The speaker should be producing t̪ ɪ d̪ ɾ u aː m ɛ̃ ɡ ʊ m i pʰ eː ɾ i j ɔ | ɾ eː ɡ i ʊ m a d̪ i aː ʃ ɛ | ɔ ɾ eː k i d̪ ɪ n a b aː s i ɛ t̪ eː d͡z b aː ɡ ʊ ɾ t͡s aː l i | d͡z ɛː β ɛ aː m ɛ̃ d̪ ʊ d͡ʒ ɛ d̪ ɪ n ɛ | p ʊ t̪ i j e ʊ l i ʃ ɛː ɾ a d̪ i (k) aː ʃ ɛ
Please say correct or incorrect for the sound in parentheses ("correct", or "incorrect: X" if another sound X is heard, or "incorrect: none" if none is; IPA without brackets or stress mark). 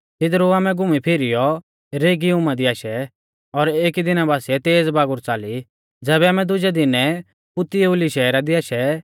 incorrect: none